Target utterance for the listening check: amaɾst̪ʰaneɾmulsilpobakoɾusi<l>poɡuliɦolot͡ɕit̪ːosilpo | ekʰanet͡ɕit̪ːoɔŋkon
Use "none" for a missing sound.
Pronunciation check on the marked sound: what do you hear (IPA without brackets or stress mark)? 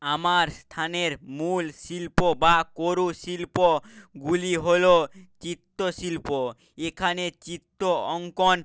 l